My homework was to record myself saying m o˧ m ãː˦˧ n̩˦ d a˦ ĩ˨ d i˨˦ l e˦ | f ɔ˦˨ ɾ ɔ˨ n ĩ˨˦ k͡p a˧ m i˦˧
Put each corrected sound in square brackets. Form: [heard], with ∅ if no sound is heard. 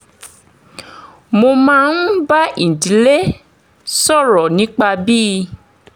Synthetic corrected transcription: m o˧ m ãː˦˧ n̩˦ [b] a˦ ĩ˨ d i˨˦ l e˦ | [s] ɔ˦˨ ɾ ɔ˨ n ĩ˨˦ k͡p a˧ [b] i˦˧